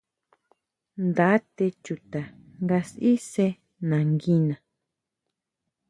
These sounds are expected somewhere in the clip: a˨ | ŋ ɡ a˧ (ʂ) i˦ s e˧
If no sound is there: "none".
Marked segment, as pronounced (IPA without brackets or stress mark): s